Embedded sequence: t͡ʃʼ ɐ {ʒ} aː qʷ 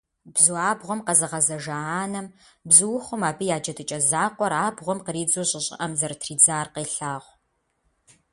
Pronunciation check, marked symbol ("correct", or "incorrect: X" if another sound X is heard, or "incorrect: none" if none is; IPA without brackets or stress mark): incorrect: z